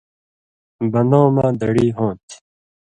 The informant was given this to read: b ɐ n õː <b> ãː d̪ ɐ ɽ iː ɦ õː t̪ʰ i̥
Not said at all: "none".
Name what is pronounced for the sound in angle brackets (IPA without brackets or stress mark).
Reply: m